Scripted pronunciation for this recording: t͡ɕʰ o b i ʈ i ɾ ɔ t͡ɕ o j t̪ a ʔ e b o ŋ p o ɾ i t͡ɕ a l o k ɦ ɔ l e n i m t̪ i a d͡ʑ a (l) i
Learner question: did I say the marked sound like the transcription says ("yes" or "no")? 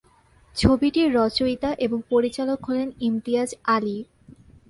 yes